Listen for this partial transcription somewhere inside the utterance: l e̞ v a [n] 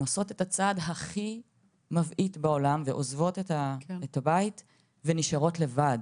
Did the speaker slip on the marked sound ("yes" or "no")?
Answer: yes